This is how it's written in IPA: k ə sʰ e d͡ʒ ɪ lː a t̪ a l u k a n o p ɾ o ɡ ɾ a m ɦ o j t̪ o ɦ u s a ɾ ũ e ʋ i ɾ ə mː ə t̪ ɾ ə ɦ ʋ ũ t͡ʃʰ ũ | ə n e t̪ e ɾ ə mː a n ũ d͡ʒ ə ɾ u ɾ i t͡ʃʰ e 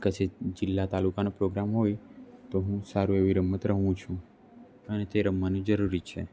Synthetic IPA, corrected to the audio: k ə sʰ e d͡ʒ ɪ lː a t̪ a l u k a n o p ɾ o ɡ ɾ a m ɦ o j t̪ o ɦ ũ s a ɾ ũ e ʋ i ɾ ə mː ə t̪ ɾ ə ɦ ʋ ũ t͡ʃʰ ũ | ə n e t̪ e ɾ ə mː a n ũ d͡ʒ ə ɾ u ɾ i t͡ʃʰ e